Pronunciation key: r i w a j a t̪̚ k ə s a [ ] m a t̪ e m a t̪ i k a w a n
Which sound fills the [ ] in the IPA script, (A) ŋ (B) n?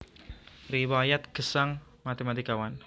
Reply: A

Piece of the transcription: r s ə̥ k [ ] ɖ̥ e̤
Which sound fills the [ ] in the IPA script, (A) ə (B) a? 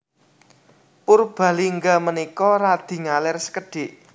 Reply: A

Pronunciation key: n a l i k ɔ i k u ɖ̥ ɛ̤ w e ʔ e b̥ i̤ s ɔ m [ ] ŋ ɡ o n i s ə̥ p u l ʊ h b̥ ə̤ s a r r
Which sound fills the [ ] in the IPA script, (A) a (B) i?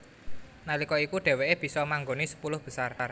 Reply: A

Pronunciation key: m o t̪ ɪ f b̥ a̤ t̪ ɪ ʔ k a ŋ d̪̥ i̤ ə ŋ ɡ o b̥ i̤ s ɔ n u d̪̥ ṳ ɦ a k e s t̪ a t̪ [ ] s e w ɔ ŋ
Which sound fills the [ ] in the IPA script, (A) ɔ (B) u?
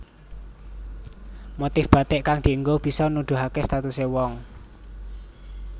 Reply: B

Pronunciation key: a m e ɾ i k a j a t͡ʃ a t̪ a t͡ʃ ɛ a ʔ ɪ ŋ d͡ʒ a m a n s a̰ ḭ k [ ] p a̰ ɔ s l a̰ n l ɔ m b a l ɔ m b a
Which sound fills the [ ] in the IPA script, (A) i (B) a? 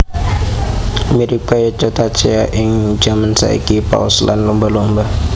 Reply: A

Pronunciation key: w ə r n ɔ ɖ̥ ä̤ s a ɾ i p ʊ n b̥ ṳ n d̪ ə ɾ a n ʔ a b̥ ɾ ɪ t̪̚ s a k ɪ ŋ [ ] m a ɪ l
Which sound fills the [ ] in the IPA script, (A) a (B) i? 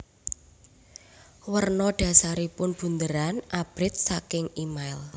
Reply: B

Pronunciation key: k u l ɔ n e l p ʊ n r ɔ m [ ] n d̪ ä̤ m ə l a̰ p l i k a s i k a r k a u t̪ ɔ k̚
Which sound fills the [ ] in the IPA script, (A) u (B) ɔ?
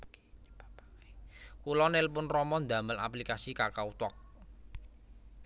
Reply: B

